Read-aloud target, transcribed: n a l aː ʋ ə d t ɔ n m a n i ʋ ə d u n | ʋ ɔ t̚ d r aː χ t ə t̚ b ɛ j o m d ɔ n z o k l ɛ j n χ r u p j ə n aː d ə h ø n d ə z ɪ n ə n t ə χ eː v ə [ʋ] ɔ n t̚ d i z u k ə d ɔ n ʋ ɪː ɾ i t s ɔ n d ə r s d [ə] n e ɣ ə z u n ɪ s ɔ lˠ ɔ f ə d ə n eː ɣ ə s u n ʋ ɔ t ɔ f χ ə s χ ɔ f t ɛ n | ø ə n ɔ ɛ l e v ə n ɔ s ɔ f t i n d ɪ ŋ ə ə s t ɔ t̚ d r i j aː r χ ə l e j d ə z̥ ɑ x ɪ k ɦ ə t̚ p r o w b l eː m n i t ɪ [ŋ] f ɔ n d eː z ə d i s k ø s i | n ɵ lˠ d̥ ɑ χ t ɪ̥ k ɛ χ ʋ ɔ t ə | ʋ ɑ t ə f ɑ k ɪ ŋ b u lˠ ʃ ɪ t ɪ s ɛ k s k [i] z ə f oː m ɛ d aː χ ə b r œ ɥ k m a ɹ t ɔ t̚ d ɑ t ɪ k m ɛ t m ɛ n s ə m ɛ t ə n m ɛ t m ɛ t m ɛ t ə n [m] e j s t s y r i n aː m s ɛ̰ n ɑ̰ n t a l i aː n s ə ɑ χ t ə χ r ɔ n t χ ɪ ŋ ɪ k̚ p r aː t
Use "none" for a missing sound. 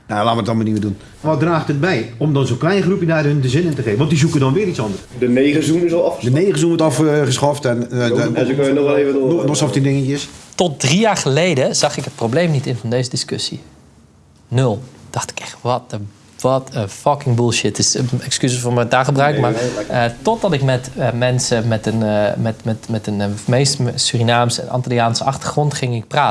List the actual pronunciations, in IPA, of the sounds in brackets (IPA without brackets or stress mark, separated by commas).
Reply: ʋ, ə, n, y, m